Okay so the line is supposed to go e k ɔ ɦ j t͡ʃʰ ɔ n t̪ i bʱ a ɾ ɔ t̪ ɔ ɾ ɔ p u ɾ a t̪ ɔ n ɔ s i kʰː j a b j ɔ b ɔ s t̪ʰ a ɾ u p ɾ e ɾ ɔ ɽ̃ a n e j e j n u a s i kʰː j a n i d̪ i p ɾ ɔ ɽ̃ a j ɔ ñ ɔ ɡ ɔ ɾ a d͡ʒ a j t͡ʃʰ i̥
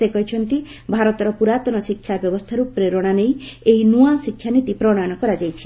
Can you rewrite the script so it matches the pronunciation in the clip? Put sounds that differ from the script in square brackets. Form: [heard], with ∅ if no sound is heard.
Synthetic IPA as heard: e k ɔ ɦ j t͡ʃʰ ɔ n t̪ i bʱ a ɾ ɔ t̪ ɔ ɾ ɔ p u ɾ a t̪ ɔ n ɔ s i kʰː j a b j ɔ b ɔ s t̪ʰ a ɾ u p ɾ e ɾ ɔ ɽ̃ a n e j e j n u a s i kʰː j a n i [t̪] i p ɾ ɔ ɽ̃ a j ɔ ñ ɔ [k] ɔ ɾ a d͡ʒ a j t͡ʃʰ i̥